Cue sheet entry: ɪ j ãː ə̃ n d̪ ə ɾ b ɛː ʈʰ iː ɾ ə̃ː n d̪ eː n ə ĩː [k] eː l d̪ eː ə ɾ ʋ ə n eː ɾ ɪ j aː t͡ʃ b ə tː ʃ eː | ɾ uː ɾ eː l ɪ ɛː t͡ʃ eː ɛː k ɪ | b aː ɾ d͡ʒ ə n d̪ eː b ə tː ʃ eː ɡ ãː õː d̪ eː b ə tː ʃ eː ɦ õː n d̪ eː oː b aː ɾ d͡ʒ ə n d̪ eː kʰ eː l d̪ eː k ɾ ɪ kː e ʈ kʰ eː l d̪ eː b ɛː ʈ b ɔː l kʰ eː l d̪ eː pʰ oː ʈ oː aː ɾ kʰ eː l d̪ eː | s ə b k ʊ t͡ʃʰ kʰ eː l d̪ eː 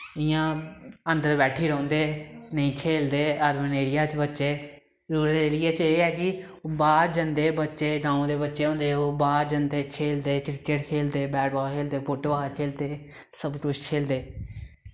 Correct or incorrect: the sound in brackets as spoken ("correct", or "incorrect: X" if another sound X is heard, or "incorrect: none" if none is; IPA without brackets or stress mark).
incorrect: kʰ